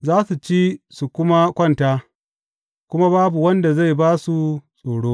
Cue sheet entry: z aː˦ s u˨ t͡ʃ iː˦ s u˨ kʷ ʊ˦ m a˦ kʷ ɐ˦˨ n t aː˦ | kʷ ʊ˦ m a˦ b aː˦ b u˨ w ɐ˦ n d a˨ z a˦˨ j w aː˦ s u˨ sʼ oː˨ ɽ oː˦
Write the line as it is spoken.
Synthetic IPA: z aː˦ s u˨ t͡ʃ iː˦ s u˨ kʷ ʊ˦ m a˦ kʷ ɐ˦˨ n t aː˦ | kʷ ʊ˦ m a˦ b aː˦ b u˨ w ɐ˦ n d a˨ z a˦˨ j b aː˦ s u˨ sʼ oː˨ ɽ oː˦

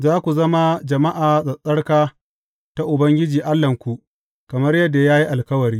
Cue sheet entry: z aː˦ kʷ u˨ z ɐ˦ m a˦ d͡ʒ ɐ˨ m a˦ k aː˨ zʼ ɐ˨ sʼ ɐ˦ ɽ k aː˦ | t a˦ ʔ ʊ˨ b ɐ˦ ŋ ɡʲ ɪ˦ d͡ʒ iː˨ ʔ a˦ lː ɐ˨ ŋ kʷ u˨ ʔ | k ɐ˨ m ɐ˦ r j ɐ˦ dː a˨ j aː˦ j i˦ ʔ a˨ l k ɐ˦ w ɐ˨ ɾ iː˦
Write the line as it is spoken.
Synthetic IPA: z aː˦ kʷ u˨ z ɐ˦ m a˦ d͡ʒ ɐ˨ m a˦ ʔ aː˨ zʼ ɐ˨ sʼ ɐ˦ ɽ k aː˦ | t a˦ ʔ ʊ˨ b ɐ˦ ŋ ɡʲ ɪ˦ d͡ʒ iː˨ ʔ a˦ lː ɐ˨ ŋ kʷ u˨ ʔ | k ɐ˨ m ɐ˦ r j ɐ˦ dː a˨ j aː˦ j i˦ ʔ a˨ l k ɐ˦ w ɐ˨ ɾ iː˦

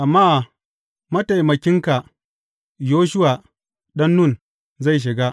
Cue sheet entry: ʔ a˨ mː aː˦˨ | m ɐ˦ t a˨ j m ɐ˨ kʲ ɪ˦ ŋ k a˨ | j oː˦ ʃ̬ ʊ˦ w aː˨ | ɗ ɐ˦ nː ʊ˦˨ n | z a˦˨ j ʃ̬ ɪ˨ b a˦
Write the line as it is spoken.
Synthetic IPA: ʔ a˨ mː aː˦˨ | m ɐ˦ t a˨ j m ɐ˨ kʲ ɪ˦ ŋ k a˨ | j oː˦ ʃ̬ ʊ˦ w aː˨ | ɗ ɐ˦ nː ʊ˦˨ n | z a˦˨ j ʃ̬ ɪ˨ ɡ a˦

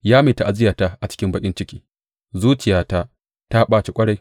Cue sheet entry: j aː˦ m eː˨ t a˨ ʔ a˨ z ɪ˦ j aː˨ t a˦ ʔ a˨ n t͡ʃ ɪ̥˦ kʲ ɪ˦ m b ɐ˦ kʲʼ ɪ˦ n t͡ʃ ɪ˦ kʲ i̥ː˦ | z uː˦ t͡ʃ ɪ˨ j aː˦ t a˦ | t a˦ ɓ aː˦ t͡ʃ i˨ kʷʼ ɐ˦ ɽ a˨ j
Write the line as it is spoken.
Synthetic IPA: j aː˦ m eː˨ t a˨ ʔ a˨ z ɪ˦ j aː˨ t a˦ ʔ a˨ t͡ʃ ɪ̥˦ kʲ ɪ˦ m b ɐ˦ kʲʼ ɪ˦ n t͡ʃ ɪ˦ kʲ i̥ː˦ | z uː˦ t͡ʃ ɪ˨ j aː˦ t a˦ | t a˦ ɓ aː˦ t͡ʃ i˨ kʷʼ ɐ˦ ɽ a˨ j

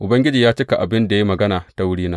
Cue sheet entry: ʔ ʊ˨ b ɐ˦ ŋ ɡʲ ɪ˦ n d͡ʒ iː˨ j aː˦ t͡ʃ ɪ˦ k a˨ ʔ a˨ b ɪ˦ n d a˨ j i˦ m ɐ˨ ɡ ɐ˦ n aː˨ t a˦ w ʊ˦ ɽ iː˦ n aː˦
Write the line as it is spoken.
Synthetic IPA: ʔ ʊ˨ b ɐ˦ ŋ ɡʲ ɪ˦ d͡ʒ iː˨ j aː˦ t͡ʃ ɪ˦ k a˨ ʔ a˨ b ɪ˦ n d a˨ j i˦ m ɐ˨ ɡ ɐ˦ n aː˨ t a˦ w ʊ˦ ɽ iː˦ n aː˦

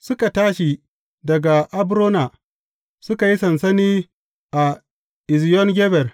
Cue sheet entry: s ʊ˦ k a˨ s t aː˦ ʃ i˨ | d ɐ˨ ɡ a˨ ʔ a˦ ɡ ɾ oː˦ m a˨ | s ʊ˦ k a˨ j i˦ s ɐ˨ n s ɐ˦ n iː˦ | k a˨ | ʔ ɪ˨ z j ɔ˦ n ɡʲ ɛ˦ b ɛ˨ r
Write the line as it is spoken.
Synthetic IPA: s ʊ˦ k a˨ t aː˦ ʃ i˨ | d ɐ˨ ɡ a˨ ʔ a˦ b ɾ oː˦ n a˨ | s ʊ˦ k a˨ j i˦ s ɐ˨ n s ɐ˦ n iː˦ | ʔ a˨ | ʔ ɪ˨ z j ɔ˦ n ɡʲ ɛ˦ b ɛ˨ r

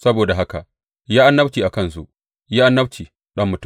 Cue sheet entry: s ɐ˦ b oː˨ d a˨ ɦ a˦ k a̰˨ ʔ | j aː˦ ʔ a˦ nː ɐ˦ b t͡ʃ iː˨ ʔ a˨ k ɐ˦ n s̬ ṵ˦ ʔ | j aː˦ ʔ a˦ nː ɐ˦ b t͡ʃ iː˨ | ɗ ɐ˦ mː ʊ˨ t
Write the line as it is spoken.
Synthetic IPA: s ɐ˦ b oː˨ d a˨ ɦ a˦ k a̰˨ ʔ | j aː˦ ʔ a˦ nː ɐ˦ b t͡ʃ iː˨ ʔ a˨ k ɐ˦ n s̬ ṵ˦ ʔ | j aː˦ ʔ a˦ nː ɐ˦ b t͡ʃ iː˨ | ɗ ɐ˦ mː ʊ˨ t

